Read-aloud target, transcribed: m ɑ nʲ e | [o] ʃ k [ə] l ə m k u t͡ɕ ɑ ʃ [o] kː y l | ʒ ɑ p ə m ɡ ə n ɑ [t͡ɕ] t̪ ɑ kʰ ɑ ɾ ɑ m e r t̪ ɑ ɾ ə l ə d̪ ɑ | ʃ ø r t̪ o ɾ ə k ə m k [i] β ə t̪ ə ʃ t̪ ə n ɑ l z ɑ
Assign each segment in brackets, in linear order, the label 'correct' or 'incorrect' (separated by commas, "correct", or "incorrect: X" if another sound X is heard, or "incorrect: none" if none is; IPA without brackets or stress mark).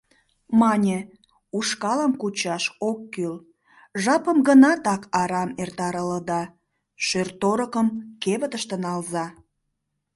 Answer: incorrect: u, incorrect: ɑ, correct, incorrect: none, incorrect: e